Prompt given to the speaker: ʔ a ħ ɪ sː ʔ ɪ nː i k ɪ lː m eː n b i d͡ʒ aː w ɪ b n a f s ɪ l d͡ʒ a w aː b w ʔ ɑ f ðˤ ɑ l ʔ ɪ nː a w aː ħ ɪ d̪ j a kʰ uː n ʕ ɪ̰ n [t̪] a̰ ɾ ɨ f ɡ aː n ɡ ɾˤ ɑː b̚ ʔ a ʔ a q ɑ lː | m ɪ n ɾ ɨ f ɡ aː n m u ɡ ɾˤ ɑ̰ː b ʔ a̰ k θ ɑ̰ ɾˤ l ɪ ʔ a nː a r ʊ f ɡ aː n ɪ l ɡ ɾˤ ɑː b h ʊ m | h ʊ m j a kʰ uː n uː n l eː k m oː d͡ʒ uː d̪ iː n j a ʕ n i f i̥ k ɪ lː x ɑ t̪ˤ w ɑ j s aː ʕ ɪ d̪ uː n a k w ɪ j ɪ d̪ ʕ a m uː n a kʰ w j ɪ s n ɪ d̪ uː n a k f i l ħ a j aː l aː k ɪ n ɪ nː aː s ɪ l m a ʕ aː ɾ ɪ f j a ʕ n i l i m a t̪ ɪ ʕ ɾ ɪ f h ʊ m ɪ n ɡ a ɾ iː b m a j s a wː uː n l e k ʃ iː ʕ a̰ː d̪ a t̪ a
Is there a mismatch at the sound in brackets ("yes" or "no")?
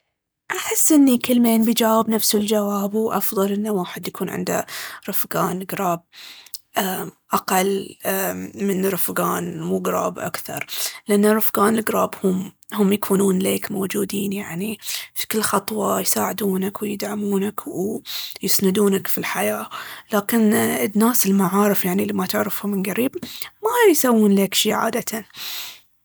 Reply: yes